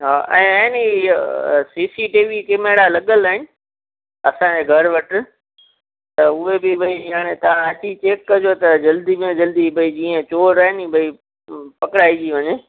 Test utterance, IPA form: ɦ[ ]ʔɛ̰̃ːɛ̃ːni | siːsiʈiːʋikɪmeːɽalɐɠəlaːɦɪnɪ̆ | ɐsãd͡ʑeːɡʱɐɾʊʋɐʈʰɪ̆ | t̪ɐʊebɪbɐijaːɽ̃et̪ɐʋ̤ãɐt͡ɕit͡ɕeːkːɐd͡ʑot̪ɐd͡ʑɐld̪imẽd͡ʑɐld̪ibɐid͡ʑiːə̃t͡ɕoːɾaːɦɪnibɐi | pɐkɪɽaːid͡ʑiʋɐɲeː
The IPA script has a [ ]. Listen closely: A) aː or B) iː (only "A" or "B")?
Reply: A